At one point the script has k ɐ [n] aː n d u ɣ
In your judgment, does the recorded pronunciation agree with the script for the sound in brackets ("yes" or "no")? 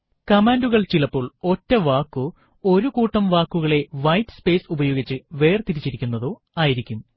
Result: no